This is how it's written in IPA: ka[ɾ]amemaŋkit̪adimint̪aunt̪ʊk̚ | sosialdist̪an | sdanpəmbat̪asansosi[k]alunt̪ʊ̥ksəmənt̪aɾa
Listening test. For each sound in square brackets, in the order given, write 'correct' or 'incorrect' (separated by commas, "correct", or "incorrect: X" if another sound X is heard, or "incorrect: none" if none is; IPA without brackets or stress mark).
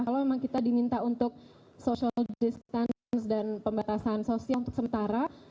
incorrect: l, incorrect: none